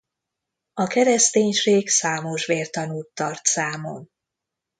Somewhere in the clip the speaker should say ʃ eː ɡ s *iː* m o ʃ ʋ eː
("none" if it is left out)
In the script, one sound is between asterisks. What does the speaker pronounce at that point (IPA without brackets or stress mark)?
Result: aː